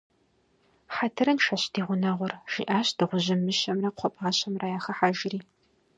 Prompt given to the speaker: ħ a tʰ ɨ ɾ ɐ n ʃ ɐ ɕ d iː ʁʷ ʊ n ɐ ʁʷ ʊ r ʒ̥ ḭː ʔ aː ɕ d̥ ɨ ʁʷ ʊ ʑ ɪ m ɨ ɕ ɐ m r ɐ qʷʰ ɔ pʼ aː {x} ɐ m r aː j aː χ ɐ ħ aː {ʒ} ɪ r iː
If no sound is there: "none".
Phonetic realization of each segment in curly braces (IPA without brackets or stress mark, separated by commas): ɕ, ʒ